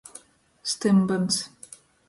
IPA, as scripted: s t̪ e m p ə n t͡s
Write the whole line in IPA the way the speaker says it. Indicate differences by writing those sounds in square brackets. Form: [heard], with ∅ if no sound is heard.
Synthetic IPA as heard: s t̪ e m [b] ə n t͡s